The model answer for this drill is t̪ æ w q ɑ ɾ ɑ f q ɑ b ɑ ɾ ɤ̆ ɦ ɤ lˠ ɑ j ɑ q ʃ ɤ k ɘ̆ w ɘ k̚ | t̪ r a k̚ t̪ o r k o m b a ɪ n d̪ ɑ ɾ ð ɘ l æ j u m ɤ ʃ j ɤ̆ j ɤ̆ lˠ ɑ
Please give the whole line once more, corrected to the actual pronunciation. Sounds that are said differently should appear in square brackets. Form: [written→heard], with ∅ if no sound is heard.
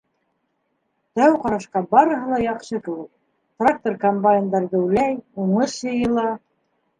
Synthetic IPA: t̪ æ w q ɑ ɾ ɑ [f→ʃ] q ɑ b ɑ ɾ ɤ̆ ɦ ɤ lˠ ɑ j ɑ q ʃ ɤ k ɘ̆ w ɘ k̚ | t̪ r a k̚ t̪ o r k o m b a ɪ n d̪ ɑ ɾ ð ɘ l æ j u [m→ɴ] ɤ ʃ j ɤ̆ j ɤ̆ lˠ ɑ